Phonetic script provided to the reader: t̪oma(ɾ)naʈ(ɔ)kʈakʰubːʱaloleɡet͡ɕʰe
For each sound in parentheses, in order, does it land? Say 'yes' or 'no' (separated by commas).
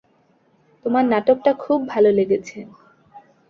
yes, no